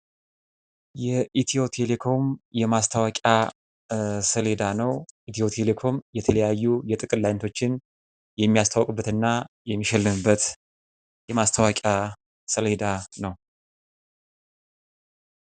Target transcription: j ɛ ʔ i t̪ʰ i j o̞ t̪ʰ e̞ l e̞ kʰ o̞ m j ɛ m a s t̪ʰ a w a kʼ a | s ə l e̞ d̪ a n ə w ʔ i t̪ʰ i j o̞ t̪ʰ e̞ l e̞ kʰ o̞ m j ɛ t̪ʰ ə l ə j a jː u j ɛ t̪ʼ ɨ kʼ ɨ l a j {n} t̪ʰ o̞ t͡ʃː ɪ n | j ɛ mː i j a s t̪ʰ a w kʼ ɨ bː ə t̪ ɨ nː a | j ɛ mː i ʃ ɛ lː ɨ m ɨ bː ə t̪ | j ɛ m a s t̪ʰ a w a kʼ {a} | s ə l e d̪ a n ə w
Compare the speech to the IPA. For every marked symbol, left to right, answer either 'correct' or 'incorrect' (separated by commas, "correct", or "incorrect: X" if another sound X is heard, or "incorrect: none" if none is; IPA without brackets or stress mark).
correct, correct